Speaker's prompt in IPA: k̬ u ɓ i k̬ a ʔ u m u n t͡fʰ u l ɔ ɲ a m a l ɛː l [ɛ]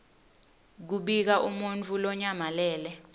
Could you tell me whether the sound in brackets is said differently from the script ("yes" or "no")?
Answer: no